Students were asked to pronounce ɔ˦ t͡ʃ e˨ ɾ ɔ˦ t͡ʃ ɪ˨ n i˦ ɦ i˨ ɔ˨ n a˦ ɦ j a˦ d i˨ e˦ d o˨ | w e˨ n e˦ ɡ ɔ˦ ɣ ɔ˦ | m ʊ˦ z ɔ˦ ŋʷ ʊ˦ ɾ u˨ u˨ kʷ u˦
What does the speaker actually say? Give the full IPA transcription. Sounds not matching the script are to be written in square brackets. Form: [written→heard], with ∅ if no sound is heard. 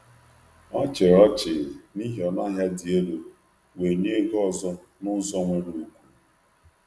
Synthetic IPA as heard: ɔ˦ t͡ʃ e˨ ɾ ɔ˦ t͡ʃ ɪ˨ n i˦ ɦ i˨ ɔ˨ n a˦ ɦ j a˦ d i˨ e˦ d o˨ | w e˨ [n→ɲ] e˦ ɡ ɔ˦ [ɣ→z] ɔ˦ | [m→n] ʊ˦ z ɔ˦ ŋʷ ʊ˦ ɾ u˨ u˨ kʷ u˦